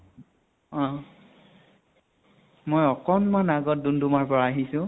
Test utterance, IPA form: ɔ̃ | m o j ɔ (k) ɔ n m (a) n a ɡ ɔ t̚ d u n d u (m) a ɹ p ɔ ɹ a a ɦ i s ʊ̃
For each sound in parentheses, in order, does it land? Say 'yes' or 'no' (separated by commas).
yes, yes, yes